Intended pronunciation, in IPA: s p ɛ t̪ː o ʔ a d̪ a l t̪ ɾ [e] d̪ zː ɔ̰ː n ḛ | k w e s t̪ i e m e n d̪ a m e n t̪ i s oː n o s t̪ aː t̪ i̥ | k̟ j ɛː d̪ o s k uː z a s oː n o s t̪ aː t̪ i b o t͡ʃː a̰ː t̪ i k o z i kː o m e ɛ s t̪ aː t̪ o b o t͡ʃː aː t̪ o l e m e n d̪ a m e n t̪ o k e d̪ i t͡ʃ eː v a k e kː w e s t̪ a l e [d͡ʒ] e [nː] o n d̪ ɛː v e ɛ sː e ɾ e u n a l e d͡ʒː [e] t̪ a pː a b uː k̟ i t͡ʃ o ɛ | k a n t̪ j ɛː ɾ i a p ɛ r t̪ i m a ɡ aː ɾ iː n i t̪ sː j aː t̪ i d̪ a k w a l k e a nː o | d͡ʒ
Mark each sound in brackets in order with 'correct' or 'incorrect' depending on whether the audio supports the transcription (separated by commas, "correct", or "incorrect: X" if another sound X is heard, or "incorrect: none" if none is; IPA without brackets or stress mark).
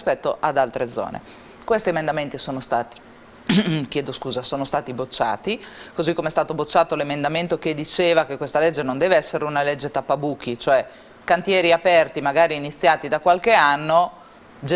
correct, incorrect: d͡ʒː, incorrect: n, correct